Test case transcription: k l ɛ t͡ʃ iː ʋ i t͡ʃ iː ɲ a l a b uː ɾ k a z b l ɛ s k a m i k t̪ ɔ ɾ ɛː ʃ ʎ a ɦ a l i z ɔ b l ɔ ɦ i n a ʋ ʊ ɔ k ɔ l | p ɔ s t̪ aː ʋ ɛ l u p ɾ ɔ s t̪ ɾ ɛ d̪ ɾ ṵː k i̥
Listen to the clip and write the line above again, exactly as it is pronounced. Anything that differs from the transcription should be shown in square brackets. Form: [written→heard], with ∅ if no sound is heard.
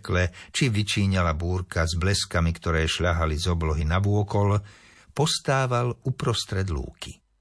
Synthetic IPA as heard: k l ɛ t͡ʃ [iː→i] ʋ i t͡ʃ iː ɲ a l a b uː ɾ k a z b l ɛ s k a m i k t̪ ɔ ɾ ɛː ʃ ʎ a ɦ a l i z ɔ b l ɔ ɦ i n a ʋ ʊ ɔ k ɔ l | p ɔ s t̪ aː ʋ [ɛ→a] l u p ɾ ɔ s t̪ ɾ ɛ d̪ [ɾ→l] ṵː k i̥